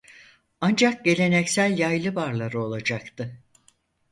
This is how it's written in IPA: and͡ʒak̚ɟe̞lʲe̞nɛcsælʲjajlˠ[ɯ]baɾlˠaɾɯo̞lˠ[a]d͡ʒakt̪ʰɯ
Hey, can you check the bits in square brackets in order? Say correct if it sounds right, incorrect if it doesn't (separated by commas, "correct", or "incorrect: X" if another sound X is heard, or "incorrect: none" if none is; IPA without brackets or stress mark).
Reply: correct, correct